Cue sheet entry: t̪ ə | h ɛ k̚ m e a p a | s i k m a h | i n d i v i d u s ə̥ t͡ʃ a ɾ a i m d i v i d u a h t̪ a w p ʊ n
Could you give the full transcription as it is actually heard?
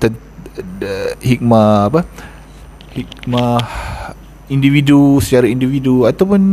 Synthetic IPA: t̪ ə | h i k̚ m a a p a | h i k m a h | i n d i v i d u s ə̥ t͡ʃ a ɾ a i n d i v i d u a t̪ a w p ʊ n